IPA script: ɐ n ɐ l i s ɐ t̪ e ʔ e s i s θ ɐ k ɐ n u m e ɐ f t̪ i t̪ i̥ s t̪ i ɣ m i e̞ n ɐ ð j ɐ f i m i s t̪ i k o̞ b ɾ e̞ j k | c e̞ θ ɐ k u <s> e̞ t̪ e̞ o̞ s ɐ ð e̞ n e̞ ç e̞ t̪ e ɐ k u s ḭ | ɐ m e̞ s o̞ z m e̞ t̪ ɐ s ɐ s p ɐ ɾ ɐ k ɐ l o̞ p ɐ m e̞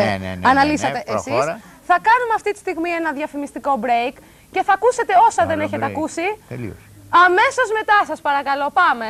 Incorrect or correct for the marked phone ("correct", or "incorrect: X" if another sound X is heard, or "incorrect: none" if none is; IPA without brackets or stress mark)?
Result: correct